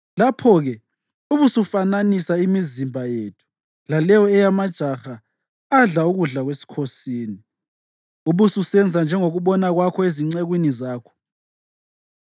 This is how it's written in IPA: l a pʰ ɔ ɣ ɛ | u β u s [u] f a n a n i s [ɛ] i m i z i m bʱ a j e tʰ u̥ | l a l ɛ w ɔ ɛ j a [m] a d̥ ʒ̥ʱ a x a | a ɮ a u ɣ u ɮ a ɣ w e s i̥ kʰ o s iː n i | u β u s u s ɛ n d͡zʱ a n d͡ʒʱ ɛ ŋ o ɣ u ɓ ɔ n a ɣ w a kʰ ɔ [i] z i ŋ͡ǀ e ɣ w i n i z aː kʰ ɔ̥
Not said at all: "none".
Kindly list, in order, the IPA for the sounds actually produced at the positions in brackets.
u, a, m, e

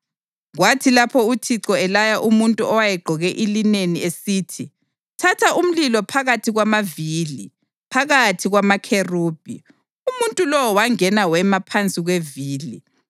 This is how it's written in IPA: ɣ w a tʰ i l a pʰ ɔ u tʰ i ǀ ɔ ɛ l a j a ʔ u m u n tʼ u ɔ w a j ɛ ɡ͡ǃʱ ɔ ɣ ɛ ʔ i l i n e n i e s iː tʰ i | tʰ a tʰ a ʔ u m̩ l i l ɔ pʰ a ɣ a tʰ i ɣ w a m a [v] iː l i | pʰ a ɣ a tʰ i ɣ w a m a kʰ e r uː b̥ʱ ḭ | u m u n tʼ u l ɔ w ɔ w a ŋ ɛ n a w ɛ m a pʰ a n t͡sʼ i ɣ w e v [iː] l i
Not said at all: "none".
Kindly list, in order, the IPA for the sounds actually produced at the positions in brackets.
v, iː

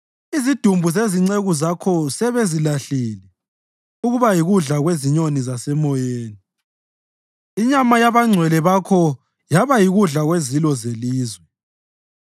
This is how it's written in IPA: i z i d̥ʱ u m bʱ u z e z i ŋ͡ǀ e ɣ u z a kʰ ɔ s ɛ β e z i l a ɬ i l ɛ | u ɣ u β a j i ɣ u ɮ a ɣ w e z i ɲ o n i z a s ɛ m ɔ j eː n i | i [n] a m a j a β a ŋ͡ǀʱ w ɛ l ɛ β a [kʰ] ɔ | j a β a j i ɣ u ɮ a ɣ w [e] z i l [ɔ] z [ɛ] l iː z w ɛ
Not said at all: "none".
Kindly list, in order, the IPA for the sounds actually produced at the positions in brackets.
ɲ, kʰ, e, ɔ, e

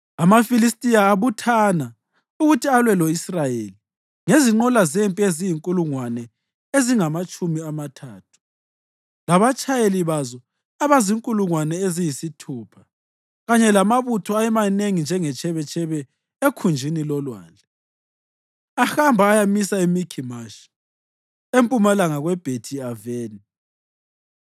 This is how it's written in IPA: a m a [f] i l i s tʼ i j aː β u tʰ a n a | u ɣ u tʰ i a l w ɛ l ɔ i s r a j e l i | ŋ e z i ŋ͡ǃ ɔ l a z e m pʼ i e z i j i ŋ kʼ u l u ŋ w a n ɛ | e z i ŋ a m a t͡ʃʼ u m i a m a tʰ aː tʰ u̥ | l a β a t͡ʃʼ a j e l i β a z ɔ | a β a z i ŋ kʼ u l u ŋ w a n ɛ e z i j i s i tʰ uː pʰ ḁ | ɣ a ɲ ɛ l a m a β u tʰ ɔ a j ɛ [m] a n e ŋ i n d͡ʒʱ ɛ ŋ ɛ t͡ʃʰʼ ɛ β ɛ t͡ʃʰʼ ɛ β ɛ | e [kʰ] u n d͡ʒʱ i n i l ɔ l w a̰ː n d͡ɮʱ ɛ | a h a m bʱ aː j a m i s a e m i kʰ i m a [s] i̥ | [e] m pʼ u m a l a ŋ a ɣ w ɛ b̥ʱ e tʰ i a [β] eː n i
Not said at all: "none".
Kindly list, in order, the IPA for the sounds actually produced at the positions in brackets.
f, m, kʰ, ʃ, e, v

